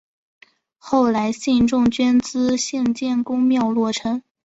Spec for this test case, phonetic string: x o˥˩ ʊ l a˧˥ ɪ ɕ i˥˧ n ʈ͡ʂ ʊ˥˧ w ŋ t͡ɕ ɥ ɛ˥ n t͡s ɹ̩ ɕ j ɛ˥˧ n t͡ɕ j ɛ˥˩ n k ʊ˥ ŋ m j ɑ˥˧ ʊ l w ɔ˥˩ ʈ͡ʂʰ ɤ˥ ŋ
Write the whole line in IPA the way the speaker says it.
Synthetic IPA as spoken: x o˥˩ ʊ l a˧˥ ɪ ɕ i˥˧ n ʈ͡ʂ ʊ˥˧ ŋ t͡ɕ ɥ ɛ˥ n t͡s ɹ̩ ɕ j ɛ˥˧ n t͡ɕ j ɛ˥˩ n k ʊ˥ ŋ m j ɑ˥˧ ʊ l w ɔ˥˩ ʈ͡ʂʰ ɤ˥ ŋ